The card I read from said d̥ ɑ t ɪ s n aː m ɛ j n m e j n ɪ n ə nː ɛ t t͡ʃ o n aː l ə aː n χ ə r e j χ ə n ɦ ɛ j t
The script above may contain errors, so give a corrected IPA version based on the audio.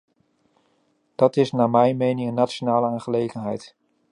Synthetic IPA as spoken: d̥ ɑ t ɪ s n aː m ɛ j n m e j n ɪ ŋ ə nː a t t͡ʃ o n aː l ə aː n χ ə l e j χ ə n ɦ ɛ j t